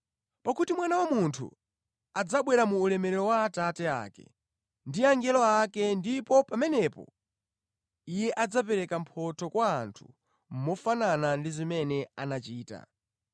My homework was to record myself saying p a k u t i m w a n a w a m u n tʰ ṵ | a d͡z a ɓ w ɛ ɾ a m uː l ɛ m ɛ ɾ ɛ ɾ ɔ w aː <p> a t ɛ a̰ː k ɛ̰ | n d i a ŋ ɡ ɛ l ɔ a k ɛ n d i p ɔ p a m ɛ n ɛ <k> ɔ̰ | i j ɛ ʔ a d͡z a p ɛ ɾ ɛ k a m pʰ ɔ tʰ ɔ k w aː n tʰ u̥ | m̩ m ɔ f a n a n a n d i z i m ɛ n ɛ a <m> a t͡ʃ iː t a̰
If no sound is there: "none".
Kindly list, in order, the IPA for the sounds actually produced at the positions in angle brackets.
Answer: t, p, n

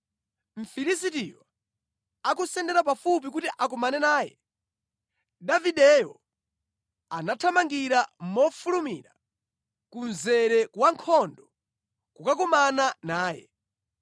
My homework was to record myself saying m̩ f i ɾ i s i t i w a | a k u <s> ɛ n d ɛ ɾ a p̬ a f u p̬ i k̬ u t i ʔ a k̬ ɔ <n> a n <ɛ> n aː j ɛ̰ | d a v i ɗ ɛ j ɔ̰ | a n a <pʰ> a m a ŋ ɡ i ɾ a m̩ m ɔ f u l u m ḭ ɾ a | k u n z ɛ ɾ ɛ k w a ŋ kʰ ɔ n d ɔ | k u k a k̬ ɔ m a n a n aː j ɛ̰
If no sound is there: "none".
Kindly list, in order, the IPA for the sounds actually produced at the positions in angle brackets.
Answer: s, m, ɛ, tʰ

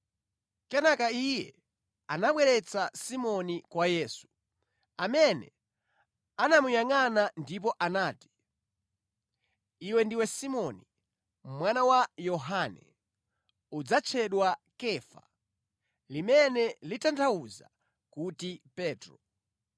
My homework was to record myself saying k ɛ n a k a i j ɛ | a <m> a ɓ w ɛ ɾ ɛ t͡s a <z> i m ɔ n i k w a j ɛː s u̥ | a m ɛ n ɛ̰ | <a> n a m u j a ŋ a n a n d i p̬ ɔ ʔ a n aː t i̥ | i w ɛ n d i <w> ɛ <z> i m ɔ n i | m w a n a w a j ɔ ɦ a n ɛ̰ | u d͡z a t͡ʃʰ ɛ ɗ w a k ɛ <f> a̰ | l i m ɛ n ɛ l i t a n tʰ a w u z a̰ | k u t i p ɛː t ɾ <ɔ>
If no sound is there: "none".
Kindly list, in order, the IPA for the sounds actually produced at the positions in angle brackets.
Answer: n, s, a, w, s, f, ɔ

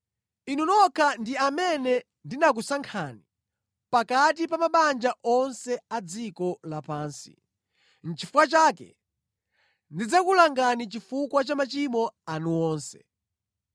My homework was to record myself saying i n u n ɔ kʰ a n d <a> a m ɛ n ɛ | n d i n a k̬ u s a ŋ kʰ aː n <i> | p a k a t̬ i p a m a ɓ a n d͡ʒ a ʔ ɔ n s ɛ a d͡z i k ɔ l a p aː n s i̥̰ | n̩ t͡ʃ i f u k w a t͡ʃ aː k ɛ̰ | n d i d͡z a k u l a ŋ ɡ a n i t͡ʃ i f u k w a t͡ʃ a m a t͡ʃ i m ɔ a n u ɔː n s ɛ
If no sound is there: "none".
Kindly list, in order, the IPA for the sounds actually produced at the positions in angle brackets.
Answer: i, i

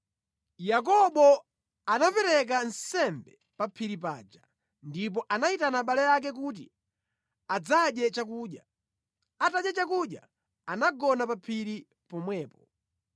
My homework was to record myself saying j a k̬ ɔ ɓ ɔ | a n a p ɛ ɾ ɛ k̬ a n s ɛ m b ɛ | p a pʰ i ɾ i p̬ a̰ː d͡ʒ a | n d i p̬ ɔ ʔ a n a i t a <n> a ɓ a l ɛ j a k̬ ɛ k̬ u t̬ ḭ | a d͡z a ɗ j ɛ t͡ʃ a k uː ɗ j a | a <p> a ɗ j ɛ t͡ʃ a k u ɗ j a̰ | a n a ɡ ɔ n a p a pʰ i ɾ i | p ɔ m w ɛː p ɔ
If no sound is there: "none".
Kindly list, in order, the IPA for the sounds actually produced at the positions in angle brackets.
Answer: n, t

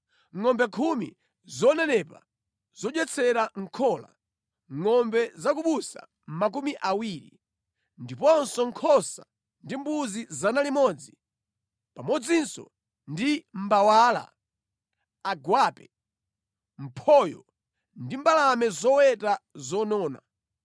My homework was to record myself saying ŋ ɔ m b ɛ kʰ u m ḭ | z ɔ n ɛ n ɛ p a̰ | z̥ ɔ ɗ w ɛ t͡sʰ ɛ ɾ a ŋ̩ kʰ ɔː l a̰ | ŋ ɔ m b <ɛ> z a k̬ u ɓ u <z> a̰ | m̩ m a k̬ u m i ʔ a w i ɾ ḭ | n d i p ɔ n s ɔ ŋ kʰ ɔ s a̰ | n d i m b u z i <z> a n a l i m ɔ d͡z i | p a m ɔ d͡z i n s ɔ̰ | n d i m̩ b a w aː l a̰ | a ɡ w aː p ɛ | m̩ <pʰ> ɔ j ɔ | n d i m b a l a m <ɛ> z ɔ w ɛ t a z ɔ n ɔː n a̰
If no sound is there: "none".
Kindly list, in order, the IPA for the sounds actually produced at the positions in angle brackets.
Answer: ɛ, s, z, pʰ, ɛ

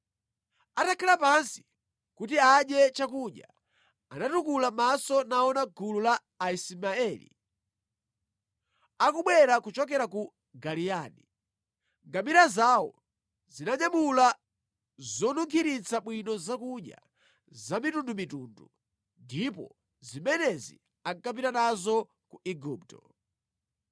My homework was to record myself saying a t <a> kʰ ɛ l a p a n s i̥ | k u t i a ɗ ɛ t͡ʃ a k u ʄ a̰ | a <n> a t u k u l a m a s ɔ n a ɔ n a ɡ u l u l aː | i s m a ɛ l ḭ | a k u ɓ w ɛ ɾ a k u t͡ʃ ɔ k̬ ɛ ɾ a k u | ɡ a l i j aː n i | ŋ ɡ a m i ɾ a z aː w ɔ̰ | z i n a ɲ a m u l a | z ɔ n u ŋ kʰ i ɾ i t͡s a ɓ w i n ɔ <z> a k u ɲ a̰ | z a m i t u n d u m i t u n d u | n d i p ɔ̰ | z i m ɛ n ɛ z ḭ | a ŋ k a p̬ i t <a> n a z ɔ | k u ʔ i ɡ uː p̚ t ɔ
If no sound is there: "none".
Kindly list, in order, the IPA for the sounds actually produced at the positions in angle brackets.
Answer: a, n, z, a

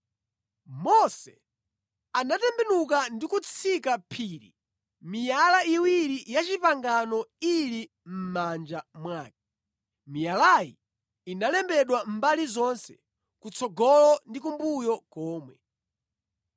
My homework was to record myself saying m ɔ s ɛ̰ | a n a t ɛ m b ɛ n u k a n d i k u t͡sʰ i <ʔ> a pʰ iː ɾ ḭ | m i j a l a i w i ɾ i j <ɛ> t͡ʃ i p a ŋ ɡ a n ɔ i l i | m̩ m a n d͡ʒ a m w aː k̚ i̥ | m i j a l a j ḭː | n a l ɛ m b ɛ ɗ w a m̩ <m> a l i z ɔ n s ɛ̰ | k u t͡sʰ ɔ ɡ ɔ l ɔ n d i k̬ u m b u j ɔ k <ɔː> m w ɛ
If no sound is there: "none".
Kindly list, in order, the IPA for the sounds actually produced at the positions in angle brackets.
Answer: k, a, b, ɔː

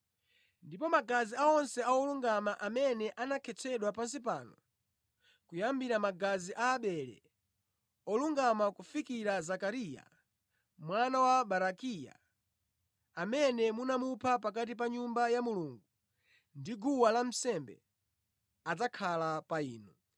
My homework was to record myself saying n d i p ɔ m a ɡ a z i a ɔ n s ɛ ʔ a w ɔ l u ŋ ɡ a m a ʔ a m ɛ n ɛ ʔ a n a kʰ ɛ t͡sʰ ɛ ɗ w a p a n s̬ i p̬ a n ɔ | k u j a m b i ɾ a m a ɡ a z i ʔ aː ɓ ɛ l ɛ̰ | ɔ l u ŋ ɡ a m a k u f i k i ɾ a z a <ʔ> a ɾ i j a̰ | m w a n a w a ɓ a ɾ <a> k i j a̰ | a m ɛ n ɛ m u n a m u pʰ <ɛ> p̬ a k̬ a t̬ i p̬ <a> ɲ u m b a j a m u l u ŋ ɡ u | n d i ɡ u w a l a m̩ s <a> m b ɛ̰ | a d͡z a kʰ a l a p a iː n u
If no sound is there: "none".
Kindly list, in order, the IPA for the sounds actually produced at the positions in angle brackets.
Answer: k, a, a, a, ɛ

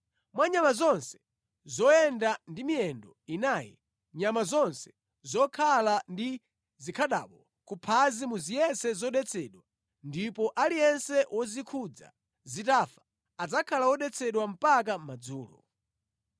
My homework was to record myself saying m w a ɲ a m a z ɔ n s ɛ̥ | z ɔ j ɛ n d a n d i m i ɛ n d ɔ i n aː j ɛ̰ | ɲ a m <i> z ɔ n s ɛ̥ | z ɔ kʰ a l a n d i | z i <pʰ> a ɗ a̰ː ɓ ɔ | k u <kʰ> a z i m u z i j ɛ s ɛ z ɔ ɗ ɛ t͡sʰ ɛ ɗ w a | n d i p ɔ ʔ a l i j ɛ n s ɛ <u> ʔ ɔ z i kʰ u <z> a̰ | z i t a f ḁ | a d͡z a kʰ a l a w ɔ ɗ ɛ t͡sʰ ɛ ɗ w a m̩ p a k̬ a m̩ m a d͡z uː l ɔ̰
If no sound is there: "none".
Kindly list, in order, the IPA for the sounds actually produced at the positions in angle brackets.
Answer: a, kʰ, pʰ, w, d͡z

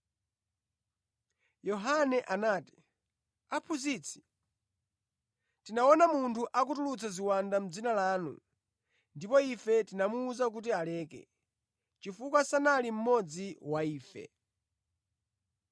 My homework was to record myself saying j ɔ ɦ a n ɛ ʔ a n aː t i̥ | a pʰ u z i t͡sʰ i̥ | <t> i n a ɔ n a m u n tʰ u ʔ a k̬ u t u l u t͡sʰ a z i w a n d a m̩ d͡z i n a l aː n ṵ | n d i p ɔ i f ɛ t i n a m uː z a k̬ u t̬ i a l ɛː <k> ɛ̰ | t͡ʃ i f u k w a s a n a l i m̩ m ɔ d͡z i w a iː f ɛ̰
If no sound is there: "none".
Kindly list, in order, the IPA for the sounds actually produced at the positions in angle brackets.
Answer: t, k

